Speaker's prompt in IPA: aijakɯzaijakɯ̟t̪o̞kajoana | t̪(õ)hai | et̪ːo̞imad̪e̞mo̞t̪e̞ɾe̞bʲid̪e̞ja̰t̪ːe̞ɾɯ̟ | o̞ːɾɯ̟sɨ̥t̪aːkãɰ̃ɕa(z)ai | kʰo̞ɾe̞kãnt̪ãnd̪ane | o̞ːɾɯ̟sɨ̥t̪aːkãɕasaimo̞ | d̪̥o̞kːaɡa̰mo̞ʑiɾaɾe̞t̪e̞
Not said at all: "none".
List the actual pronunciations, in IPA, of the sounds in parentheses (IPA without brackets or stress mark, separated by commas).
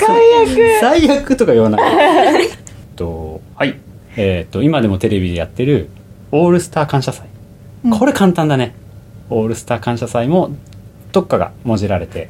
o, s